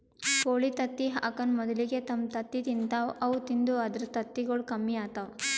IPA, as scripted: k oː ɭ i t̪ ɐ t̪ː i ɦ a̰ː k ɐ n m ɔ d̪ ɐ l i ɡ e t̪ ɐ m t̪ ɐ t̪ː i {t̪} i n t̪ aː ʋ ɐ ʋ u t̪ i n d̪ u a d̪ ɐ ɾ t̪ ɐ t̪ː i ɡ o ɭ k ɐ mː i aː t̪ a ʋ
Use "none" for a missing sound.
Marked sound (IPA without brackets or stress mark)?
t̪